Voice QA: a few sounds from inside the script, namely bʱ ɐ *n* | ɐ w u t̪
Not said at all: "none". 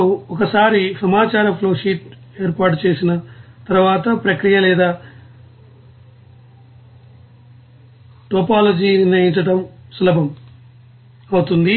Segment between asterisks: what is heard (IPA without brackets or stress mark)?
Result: m